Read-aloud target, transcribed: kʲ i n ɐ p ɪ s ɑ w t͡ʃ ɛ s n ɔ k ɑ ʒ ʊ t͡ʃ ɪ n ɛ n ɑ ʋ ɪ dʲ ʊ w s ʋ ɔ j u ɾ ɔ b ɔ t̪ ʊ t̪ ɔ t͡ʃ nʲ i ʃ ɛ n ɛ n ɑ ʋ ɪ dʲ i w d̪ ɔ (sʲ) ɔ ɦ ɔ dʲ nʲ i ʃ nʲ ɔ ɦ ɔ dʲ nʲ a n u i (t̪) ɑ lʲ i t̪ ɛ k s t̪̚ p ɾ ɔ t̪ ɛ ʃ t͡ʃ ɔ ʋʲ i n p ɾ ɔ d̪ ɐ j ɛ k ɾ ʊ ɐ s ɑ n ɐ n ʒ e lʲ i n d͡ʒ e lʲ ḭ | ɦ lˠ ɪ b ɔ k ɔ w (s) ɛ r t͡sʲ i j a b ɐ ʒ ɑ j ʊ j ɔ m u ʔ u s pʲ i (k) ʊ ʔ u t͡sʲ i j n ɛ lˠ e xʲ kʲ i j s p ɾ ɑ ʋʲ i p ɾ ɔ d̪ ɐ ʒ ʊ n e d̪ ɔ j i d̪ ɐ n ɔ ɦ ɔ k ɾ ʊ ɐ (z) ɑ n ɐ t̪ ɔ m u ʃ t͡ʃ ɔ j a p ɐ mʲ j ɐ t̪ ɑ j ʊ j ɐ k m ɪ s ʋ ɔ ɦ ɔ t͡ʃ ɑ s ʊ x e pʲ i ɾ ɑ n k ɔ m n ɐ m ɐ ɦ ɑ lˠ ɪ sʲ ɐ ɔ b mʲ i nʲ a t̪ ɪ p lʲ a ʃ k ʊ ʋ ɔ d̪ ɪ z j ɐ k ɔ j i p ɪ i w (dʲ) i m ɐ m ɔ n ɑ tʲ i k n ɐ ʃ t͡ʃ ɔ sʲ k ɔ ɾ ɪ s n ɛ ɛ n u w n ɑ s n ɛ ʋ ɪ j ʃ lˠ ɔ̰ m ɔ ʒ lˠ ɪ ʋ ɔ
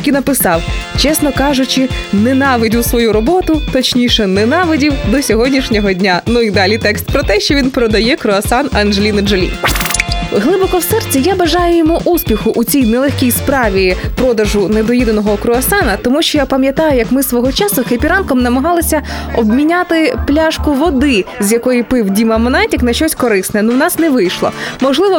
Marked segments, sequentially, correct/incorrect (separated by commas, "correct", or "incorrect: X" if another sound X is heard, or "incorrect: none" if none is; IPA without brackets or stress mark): correct, incorrect: d̪, correct, incorrect: x, incorrect: s, correct